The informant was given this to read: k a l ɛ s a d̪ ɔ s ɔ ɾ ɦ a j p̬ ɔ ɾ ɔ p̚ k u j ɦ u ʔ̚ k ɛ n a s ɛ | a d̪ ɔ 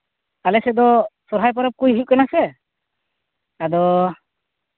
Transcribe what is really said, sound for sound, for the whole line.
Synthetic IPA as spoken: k a l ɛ s ɛ d̪ ɔ s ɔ ɾ ɦ a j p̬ ɔ ɾ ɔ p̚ k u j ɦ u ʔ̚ k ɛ n a s ɛ | a d̪ ɔ